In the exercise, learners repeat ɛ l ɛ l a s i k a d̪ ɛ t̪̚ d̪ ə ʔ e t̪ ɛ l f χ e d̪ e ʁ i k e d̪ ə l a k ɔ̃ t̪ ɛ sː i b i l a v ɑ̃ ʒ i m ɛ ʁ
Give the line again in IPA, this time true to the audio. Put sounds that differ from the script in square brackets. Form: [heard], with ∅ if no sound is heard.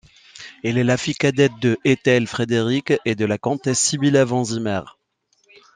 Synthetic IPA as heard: ɛ l ɛ l a [f] i k a d̪ ɛ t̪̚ d̪ ə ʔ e t̪ ɛ l f χ e d̪ e ʁ i k e d̪ ə l a k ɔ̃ t̪ ɛ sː i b i l a v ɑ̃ [z] i m ɛ ʁ